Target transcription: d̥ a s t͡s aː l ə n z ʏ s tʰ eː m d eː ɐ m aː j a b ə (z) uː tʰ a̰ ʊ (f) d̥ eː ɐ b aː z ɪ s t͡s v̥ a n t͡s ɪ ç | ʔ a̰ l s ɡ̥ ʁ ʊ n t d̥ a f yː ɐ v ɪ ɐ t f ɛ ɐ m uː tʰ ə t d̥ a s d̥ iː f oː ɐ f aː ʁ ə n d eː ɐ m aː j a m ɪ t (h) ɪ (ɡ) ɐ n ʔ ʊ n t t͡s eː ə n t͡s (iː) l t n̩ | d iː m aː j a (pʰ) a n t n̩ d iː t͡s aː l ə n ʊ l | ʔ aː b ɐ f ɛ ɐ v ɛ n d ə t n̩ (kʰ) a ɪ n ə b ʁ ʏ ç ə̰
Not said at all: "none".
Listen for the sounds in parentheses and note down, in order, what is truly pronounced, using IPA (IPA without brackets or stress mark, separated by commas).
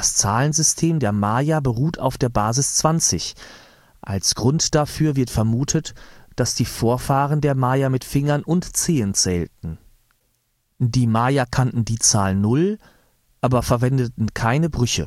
ʁ, f, f, ŋ, ɛː, kʰ, kʰ